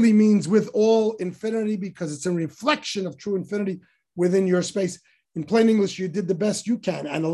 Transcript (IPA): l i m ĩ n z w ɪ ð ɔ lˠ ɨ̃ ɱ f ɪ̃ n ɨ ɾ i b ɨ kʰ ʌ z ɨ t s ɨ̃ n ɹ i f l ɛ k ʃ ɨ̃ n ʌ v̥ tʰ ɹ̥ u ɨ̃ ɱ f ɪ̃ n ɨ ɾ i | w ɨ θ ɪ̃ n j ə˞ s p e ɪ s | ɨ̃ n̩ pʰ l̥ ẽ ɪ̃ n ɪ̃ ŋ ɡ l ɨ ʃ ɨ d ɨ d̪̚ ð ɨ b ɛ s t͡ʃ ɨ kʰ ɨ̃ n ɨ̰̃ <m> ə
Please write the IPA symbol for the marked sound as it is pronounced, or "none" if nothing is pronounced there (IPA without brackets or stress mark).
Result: n